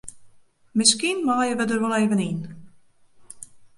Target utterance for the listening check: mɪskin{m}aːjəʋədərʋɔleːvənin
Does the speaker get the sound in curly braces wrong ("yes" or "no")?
no